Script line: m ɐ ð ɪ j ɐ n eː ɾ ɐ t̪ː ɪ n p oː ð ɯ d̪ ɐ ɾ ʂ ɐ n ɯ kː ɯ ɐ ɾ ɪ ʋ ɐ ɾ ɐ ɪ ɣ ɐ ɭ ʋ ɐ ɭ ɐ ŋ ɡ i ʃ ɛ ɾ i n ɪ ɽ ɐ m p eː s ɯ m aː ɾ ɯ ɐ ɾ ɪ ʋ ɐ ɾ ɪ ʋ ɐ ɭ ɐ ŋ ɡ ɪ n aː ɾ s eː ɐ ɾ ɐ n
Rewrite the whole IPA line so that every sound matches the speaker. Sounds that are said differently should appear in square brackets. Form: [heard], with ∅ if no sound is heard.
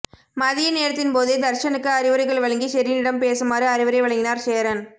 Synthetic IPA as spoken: m ɐ ð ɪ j ɐ n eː ɾ ɐ t̪ː ɪ n p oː ð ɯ d̪ ɐ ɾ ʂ ɐ n ɯ kː ɯ ɐ ɾ ɪ ʋ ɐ ɾ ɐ ɪ ɣ ɐ ɭ ʋ ɐ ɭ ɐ ŋ ɡ i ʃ ɛ ɾ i n ɪ ɽ ɐ m p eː s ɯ m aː ɾ ɯ ɐ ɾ ɪ ʋ ɐ ɾ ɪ ʋ ɐ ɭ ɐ ŋ ɡ ɪ n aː ɾ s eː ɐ ɾ ɐ n